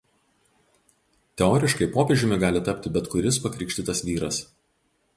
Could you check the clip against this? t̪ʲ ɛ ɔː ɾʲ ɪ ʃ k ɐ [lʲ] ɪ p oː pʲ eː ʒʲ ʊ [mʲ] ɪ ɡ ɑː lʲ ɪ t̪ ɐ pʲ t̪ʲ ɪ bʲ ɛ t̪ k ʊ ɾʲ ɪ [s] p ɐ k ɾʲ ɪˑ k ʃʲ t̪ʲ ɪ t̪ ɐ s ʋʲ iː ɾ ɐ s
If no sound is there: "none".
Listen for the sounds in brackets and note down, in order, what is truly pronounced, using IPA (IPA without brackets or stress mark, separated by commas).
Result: none, mʲ, s